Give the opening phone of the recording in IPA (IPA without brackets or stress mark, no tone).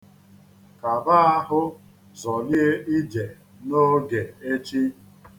k